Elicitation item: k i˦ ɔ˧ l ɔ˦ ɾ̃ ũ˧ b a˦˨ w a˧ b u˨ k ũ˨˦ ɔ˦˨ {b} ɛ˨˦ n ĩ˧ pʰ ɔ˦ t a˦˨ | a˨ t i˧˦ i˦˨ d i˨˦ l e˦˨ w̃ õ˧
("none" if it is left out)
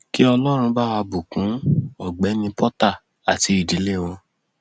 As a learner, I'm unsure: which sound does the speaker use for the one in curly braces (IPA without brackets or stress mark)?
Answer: ɡ͡b